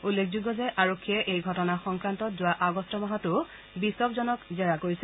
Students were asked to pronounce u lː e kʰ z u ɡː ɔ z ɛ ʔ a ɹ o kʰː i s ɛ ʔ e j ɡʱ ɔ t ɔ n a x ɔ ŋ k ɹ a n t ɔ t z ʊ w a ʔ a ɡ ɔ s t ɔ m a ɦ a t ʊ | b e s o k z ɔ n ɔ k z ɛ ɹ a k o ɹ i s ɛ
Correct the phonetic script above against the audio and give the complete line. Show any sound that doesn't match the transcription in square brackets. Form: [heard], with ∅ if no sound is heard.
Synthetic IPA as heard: u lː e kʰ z u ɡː ɔ z ɛ ʔ a ɹ o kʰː i [∅] ɛ ʔ e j ɡʱ ɔ t ɔ n a x ɔ ŋ k ɹ a n t ɔ t z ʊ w a ʔ a ɡ ɔ s t ɔ m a ɦ a t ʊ | b [i] s [ɔ] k z ɔ n ɔ k z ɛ ɹ a k o ɹ i s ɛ